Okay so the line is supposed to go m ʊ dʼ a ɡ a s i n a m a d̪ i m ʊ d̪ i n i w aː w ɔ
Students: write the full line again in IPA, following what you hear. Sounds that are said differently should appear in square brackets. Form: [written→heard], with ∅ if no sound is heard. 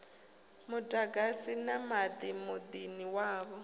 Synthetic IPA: m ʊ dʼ a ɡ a s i n a m a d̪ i m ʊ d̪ i n i w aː [w→β] ɔ